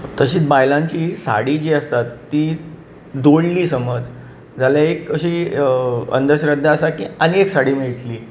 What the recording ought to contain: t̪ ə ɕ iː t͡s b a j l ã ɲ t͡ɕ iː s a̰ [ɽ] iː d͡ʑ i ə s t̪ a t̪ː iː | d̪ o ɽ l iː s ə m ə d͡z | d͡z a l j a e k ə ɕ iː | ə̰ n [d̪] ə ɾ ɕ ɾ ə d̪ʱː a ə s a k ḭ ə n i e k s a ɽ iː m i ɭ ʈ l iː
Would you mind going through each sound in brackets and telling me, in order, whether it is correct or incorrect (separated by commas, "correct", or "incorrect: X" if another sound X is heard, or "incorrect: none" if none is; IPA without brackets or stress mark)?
correct, correct